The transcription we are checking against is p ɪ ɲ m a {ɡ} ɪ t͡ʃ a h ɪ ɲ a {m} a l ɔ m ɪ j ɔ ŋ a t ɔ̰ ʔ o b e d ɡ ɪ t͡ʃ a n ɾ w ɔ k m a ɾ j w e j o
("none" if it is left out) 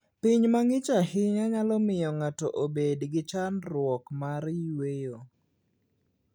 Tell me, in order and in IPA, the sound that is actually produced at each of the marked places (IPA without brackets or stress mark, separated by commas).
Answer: ŋ, ɲ